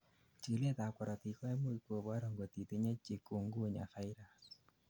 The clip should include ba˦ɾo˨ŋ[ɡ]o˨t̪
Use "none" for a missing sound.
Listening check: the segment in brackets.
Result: ɡ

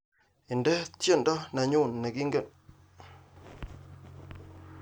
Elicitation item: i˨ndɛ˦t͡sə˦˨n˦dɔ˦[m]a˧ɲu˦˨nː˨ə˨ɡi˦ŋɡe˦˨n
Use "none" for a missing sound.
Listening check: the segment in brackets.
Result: n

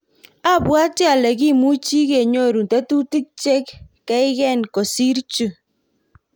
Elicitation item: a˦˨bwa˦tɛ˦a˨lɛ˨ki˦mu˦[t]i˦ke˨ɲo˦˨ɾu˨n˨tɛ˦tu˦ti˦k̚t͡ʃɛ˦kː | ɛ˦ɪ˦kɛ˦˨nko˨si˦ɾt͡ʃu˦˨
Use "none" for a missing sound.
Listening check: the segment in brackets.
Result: t͡ʃ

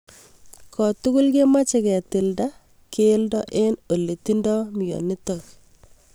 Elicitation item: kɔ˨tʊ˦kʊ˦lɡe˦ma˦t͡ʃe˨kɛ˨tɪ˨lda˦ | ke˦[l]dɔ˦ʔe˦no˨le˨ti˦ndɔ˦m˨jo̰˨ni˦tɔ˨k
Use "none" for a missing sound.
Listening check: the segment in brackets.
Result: l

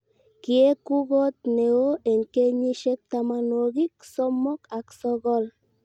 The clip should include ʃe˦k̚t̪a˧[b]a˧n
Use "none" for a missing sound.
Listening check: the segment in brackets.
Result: m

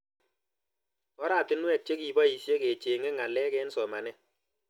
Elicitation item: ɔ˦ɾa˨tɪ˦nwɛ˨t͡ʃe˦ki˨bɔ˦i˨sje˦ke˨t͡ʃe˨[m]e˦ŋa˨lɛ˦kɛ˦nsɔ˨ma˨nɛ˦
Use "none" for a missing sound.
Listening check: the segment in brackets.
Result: ŋ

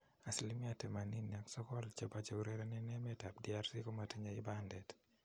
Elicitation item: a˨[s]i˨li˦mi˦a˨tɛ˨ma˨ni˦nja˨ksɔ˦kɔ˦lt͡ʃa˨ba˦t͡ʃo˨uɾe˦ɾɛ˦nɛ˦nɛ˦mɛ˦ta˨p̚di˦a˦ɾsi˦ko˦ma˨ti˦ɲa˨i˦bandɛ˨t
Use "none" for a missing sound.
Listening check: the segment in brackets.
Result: s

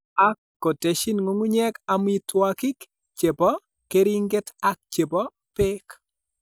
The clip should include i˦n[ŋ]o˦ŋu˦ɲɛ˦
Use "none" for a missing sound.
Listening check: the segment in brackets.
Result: ŋ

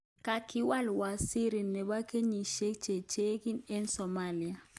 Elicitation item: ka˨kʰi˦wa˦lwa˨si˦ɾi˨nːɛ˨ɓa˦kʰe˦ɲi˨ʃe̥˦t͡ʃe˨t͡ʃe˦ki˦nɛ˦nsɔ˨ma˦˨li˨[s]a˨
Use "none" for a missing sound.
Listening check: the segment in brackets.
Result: none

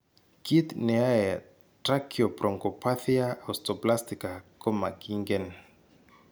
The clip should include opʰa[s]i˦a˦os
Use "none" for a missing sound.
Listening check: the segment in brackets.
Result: θ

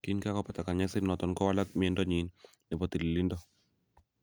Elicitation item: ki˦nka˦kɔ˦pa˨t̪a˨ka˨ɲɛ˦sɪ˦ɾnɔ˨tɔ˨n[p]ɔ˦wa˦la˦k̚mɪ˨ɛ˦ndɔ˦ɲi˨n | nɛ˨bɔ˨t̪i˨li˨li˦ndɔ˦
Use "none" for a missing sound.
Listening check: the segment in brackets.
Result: k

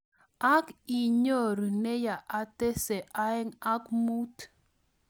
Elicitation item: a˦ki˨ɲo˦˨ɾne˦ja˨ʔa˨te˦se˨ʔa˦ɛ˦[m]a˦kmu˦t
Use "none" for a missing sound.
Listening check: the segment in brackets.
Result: ŋ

